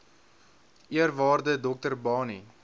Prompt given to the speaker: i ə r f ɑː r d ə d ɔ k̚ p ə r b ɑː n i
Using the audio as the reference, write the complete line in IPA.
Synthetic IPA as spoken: i ə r v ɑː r d ə d ɔ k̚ t ə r b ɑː n i